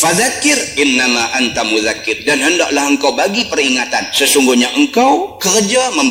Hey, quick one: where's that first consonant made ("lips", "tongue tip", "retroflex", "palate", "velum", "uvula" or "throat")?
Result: lips